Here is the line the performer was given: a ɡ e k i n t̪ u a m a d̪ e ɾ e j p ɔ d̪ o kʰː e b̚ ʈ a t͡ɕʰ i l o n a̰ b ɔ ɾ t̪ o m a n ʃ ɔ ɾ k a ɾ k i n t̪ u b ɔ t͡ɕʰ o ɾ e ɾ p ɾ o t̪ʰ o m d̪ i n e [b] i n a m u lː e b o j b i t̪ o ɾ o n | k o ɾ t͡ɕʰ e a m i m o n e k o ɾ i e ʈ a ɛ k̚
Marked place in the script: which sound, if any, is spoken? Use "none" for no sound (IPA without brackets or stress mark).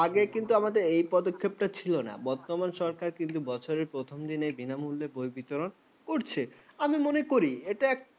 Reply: b